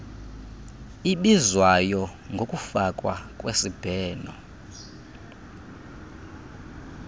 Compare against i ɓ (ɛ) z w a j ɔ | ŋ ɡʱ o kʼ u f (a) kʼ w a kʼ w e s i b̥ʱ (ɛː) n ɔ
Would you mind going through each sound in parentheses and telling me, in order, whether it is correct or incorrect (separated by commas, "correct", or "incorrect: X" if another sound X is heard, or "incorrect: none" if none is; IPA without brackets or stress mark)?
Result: incorrect: i, correct, correct